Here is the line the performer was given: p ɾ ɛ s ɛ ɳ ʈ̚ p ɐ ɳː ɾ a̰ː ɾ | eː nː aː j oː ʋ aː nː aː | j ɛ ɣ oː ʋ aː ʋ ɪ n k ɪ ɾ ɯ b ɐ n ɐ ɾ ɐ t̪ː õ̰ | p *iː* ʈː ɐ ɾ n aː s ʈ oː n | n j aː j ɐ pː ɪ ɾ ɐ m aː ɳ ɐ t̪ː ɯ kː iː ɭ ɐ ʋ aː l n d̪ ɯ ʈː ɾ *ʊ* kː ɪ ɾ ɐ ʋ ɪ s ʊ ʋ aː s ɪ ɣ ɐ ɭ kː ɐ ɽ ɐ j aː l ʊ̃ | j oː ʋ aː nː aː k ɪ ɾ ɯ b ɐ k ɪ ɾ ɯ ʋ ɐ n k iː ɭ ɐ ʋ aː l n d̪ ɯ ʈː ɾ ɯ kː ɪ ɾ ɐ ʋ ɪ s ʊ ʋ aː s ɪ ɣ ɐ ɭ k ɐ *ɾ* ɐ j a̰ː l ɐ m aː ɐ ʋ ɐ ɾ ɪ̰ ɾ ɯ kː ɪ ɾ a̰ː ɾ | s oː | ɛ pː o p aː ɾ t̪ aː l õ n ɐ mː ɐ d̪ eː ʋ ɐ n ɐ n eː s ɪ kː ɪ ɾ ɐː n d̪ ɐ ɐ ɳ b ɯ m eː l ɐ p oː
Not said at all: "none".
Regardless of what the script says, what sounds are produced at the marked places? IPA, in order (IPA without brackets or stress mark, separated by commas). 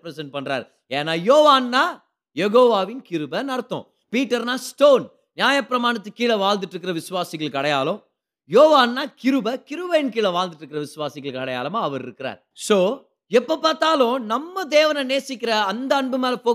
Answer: iː, ɯ, ɽ